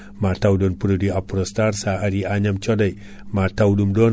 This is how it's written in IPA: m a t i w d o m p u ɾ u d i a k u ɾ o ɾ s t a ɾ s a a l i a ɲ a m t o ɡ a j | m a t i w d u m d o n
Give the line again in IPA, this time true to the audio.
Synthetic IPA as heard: m a t a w d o n p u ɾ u d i a p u ɾ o s t a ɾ s a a ɾ i a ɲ a m t͡ʃ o d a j | m a t a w d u m d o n

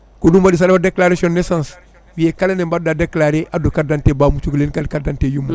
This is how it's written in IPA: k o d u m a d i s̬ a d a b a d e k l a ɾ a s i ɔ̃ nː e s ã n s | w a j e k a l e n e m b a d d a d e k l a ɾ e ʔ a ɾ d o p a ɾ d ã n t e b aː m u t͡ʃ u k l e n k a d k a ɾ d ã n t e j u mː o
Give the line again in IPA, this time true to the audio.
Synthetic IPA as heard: k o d u m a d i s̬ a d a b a d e k l a ɾ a s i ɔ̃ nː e s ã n s | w i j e k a l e n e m b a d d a d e k l a ɾ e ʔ a d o k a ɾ d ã n t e b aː m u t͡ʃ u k l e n k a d k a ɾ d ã n t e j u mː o

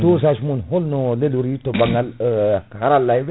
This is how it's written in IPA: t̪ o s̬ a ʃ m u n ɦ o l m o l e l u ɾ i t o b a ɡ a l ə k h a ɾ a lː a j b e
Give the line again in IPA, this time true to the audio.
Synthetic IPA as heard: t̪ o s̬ a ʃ m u n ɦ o l n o l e l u ɾ i t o b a ŋ a l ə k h a ɾ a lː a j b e

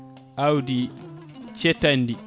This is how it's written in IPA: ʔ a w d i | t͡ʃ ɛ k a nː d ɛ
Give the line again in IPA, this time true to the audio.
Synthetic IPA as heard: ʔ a w d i | t͡ʃ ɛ t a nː d i

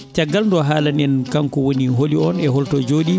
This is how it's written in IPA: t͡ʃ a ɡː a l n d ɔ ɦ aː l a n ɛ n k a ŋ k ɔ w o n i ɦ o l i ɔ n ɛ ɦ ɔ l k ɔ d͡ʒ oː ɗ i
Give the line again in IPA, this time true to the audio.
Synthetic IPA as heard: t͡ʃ a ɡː a l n d ɔ ɦ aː l a n ɛ n k a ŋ k ɔ w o n i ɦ o l i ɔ n ɛ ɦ ɔ l t ɔ d͡ʒ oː ɗ i

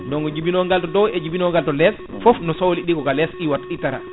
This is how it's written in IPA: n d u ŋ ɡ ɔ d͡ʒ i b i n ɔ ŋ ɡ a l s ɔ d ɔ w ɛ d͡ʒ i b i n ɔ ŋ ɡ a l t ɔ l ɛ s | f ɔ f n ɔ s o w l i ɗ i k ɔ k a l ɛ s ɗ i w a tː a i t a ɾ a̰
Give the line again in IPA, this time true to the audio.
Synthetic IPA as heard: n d ɔ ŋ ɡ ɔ d͡ʒ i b i n ɔ ŋ ɡ a l t ɔ d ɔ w ɛ d͡ʒ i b i n ɔ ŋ ɡ a l t ɔ l ɛ s | f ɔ f n ɔ s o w l i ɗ i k ɔ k a l ɛ s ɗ i w a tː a i t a ɾ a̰

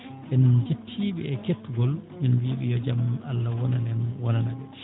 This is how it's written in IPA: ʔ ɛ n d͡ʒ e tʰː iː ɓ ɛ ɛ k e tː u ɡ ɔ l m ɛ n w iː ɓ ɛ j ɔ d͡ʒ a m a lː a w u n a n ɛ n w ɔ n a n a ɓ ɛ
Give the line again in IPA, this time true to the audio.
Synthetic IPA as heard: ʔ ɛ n d͡ʒ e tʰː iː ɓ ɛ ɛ k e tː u ɡ ɔ l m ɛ n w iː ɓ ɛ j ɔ d͡ʒ a m a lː a w ɔ n a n ɛ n w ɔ n a n a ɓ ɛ

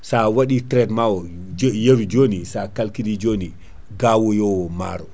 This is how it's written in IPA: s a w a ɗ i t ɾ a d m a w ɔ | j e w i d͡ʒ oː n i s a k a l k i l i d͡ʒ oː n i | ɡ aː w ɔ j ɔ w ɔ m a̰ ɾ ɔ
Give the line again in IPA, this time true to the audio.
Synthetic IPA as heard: s a w a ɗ i t ɾ ɛ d m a w ɔ | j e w i d͡ʒ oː n i s a k a l k i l i d͡ʒ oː n i | ɡ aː w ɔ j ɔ w ɔ m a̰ ɾ ɔ

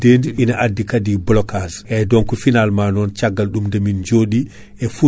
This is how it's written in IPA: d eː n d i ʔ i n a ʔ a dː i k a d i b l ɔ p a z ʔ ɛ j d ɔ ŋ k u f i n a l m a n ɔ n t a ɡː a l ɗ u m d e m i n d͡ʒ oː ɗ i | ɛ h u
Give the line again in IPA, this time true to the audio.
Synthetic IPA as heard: d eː n d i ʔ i n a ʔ a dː i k a d i b l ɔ k a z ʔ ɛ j d ɔ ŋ k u f i n a l m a n ɔ n t͡ʃ a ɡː a l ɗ u m d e m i n d͡ʒ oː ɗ i | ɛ f u

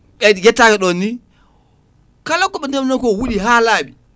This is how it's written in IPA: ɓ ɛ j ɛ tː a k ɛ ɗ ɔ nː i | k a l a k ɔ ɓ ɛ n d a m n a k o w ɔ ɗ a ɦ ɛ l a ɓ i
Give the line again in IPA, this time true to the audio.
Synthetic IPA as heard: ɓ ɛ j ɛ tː a k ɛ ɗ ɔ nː i | k a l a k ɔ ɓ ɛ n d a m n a k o w u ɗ i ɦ a l a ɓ i

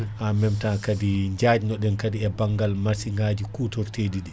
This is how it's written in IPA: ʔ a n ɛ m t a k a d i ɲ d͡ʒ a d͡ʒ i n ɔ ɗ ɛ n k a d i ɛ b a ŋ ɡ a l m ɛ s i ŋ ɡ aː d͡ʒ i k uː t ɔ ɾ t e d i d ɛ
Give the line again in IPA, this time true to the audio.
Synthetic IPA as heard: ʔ a m ɛ m t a k a d i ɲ d͡ʒ a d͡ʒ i n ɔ ɗ ɛ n k a d i ɛ b a ŋ ɡ a l m a s i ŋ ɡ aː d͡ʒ i k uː t ɔ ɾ t e d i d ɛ

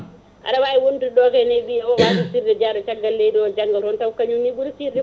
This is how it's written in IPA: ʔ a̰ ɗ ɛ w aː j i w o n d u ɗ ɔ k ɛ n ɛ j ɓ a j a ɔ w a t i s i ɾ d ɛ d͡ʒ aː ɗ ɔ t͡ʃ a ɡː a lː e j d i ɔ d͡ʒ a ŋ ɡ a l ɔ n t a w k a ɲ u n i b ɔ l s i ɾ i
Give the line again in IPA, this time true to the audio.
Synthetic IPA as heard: ʔ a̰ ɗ a w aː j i w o n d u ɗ ɔ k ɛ n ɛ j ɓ i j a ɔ w a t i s i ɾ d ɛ d͡ʒ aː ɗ ɔ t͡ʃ a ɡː a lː e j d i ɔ d͡ʒ a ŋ ɡ a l ɔ n t a w k a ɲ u n i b u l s i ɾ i

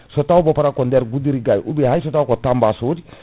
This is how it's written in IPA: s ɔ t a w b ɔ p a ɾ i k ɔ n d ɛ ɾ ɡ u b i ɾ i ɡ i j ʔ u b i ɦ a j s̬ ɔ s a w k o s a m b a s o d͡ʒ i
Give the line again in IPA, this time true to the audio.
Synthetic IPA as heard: s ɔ t a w b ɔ p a ɾ a k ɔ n d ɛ ɾ ɡ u d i ɾ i ɡ a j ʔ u b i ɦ a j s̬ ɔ t a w k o t a m b a s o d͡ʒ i

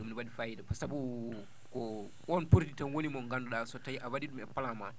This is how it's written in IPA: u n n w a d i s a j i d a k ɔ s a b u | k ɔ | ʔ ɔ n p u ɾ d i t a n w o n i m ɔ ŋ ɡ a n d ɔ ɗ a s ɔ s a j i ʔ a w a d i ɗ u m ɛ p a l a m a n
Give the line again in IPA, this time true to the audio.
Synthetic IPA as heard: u m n w a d i f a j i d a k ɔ s a b u | k ɔ | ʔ ɔ n p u ɾ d i t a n w o n i m ɔ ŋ ɡ a n d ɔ ɗ a s ɔ t a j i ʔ a w a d i ɗ u m ɛ p a l a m a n

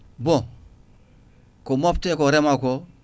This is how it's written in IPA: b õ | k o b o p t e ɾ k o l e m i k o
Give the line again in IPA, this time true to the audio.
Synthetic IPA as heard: b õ | k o m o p t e k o ɾ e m a k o

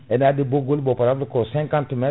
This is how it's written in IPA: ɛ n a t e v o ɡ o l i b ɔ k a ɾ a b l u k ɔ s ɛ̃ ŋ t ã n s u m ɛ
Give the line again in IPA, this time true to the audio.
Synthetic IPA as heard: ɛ n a d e b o ɡ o l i b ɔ p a ɾ a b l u k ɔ s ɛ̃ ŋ k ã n t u m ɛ

